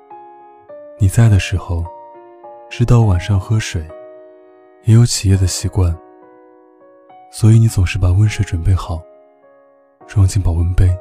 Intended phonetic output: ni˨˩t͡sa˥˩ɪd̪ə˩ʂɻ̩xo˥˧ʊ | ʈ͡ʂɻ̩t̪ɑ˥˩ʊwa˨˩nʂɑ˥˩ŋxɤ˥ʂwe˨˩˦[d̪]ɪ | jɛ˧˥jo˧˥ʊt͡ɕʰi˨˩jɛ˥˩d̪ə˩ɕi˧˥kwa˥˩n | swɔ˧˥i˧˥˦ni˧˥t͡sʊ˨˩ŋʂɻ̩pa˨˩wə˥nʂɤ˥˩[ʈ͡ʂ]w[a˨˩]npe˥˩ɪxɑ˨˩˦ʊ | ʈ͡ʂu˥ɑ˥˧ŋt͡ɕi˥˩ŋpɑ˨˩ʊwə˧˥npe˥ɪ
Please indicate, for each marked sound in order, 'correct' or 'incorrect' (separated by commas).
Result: incorrect, correct, incorrect